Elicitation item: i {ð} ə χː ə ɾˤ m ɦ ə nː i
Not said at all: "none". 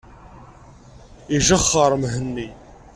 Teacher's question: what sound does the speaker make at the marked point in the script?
ʒ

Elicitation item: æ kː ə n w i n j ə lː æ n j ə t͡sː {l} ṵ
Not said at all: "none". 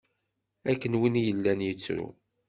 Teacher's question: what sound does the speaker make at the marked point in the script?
ɾ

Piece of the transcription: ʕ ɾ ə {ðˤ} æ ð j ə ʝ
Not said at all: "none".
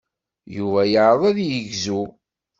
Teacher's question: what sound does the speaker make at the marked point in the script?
ðˤ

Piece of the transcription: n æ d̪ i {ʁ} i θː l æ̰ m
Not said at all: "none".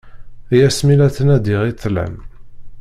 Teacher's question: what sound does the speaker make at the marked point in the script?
ʁ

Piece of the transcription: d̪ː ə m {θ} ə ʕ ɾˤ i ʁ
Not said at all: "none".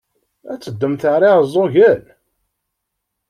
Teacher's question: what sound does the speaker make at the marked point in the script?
θ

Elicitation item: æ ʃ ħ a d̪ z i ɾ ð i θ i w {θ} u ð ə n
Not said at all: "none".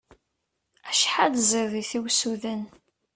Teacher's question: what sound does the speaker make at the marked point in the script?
s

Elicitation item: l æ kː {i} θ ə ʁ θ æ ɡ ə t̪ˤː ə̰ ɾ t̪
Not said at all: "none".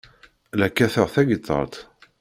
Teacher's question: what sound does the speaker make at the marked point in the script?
æ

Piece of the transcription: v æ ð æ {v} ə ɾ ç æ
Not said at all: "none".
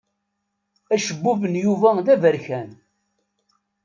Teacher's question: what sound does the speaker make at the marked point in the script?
v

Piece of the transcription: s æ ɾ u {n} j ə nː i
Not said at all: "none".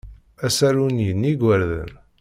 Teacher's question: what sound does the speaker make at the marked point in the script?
n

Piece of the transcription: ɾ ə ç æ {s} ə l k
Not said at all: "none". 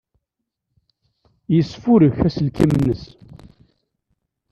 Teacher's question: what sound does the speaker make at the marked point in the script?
s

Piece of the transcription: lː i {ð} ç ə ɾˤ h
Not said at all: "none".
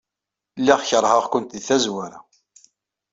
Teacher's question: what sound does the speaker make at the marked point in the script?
ʁ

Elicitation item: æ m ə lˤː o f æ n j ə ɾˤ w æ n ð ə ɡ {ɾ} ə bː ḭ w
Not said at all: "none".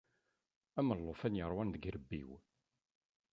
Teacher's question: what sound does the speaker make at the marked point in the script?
ɾ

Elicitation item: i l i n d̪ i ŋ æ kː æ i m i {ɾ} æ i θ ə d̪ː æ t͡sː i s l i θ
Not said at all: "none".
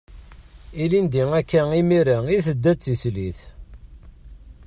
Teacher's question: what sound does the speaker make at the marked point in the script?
ɾ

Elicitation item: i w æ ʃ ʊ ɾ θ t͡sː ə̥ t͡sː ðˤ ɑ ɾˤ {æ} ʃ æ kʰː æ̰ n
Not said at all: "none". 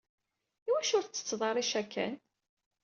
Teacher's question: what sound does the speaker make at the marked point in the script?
i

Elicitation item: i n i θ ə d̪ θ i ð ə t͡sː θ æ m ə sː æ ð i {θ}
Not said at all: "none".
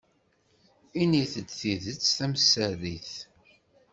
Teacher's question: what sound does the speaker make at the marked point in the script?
θ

